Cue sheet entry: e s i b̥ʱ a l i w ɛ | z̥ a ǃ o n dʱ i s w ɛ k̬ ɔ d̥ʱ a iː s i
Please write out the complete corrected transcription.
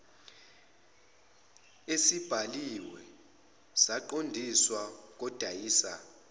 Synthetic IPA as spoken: e s i b̥ʱ a l i w ɛ | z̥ a ǃ o n dʱ i s w a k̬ ɔ d̥ʱ a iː s a